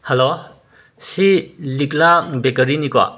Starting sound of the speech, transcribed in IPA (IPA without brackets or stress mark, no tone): h